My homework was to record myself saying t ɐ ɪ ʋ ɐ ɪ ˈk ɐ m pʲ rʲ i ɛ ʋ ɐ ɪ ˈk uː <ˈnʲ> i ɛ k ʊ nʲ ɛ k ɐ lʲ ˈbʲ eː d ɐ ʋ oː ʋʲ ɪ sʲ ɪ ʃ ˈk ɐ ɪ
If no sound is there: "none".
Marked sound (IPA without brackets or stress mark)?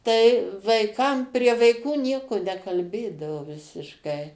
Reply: nʲ